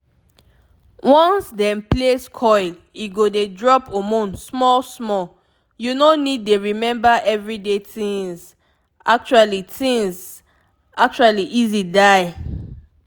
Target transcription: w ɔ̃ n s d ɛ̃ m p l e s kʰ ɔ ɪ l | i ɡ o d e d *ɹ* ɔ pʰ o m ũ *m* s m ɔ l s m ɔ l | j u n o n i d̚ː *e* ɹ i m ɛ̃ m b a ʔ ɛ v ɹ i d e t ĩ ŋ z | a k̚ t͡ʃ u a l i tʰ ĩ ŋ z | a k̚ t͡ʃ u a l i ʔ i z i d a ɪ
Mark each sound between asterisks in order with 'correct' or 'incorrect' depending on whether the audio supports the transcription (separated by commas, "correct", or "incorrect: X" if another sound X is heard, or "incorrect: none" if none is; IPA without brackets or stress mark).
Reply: correct, incorrect: n, correct